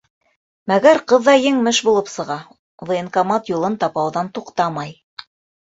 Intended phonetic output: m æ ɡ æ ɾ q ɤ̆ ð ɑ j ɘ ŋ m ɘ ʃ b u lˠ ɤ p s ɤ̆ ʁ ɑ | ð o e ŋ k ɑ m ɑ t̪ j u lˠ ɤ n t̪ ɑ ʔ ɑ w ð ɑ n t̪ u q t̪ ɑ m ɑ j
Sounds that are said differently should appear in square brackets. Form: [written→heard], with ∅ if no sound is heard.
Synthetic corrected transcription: m æ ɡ æ ɾ q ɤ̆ [ð→ðː] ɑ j ɘ ŋ m ɘ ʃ b u lˠ ɤ p s ɤ̆ ʁ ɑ | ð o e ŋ k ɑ m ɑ t̪ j u lˠ ɤ n t̪ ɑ [ʔ→p] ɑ w ð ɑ n t̪ u q t̪ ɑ m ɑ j